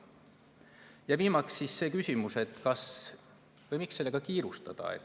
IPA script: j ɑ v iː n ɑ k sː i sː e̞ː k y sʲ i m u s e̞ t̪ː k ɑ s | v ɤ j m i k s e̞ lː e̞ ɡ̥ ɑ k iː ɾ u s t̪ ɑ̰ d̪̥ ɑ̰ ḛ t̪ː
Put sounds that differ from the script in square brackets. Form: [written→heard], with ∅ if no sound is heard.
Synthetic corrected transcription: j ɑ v iː [n→m] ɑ k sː i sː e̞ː k y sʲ i m u s e̞ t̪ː k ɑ s | v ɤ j m i k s e̞ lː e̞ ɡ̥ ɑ k iː ɾ u s t̪ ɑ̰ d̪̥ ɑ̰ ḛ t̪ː